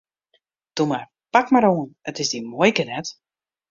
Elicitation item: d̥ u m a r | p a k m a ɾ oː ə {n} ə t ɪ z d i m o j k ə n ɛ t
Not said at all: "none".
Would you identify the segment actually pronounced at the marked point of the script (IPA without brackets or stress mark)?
n